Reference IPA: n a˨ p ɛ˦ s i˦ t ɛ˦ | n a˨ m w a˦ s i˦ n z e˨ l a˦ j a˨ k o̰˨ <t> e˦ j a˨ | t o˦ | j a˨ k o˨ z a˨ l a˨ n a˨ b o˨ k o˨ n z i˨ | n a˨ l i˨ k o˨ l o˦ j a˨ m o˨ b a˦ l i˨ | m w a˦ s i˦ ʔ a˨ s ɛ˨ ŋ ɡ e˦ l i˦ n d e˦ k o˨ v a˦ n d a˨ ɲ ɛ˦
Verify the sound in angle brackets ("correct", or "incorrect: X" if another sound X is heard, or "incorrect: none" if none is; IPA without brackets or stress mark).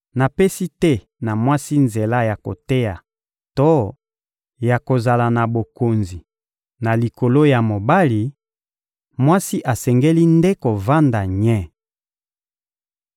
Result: correct